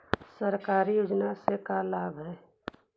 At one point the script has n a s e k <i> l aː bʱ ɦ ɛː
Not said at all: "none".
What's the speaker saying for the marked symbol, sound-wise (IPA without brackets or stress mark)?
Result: a